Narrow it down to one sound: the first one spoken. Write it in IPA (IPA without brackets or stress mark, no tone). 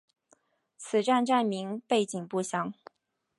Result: t͡sʰ